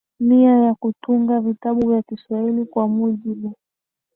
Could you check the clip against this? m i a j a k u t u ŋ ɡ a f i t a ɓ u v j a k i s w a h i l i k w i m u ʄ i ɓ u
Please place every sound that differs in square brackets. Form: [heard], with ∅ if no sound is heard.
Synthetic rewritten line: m i a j a k u t u ŋ ɡ a [v] i t a ɓ u v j a k i s w a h i l i k w [a] m u ʄ i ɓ u